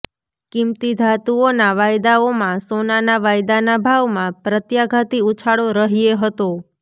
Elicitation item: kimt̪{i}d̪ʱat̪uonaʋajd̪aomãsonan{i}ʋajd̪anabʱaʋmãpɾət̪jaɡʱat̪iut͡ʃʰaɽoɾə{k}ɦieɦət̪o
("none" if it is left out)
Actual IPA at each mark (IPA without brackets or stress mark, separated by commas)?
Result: i, a, none